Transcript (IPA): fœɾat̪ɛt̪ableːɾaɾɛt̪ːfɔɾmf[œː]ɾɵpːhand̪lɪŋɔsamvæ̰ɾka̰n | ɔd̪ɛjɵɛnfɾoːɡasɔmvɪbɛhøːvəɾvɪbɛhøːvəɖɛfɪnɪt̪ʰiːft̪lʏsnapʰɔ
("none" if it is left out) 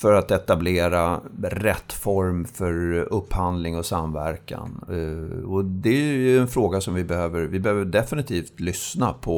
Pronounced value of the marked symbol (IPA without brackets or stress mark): œ